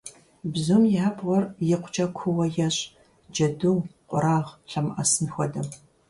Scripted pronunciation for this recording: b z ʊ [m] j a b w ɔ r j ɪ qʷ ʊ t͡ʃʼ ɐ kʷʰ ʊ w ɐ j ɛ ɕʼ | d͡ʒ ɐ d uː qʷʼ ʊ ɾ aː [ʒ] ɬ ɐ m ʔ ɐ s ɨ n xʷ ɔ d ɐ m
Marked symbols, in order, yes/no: yes, no

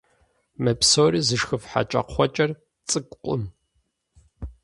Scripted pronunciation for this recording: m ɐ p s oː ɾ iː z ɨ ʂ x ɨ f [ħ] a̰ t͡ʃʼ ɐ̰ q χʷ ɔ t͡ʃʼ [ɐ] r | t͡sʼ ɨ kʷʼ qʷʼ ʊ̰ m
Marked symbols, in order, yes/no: yes, yes

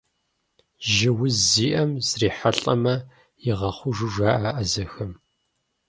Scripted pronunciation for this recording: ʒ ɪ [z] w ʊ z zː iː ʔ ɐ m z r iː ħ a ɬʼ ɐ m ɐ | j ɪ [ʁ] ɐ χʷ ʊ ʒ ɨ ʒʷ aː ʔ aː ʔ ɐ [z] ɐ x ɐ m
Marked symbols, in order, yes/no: no, yes, yes

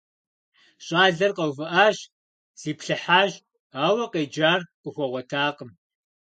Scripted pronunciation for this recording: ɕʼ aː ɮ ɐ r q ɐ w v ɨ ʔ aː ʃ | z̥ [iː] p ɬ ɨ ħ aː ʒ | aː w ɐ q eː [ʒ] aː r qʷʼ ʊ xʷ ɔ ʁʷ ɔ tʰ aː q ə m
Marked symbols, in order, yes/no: yes, no

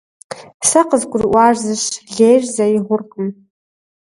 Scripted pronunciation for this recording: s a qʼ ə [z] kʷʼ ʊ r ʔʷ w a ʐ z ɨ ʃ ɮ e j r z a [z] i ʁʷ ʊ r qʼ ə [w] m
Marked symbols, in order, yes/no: yes, no, no

